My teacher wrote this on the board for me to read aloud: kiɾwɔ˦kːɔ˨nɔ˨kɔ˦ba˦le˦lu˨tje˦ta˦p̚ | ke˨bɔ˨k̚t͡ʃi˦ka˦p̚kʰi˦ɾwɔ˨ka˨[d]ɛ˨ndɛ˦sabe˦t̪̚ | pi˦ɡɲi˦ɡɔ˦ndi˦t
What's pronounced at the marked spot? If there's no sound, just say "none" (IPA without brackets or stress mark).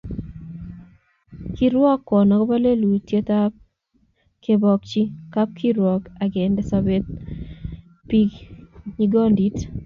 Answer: ɡ